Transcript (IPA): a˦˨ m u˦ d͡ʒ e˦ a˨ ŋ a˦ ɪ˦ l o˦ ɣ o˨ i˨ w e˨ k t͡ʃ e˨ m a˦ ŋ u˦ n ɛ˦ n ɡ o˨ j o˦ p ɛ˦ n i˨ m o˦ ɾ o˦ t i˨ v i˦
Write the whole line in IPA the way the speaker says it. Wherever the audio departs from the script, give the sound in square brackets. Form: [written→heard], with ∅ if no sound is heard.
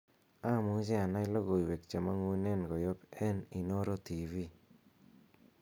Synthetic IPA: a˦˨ m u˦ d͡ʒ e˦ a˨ [ŋ→n] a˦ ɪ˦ l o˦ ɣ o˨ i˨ w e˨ k t͡ʃ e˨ m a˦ ŋ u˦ n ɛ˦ n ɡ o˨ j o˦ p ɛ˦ n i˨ [m→n] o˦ ɾ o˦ t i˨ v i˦